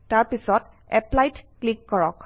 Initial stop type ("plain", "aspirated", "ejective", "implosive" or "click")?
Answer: plain